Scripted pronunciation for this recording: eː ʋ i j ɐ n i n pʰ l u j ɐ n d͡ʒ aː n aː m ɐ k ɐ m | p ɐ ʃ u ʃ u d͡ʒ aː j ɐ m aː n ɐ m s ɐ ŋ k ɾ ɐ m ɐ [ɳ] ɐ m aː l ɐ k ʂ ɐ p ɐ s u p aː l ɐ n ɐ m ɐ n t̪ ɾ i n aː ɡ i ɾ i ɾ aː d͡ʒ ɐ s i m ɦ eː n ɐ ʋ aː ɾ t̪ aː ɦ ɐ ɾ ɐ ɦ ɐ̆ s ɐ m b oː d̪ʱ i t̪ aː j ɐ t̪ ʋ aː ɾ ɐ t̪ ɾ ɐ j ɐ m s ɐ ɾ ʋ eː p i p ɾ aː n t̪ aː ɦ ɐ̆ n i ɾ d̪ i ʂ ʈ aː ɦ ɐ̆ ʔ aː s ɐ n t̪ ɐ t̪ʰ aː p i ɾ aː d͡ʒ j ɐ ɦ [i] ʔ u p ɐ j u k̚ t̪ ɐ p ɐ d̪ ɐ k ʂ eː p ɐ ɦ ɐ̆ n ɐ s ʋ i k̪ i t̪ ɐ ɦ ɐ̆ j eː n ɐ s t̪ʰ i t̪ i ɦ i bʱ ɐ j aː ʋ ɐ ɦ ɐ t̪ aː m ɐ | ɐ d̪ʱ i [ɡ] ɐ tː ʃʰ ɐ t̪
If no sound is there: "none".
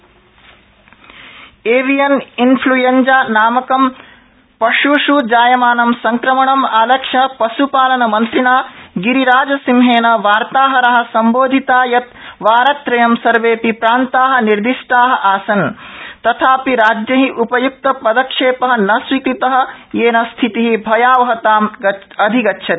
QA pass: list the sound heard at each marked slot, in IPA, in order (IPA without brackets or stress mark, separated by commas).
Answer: ɳ, i, ɡ